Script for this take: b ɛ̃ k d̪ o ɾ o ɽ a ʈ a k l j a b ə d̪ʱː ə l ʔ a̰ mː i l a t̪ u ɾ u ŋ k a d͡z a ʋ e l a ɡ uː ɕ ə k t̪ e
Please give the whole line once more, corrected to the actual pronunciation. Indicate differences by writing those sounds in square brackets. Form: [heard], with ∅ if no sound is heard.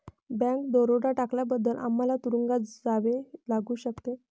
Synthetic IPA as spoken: b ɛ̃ k d̪ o ɾ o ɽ a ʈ a k l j a b ə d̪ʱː ə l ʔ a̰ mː [a] l a t̪ u ɾ u ŋ [ɡ] a d͡z a ʋ e l a ɡ uː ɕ ə k t̪ e